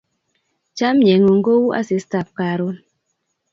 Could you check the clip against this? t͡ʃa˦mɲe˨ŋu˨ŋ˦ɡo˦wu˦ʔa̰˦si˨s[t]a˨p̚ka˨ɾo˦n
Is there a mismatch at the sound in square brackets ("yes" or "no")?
no